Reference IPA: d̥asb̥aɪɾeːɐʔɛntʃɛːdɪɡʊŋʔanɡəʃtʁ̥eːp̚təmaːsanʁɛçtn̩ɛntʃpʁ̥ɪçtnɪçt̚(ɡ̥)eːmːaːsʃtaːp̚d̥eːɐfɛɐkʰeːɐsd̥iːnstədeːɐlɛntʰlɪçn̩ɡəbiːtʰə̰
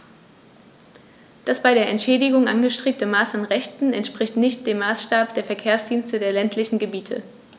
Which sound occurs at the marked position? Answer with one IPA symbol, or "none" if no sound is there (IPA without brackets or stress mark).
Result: d̥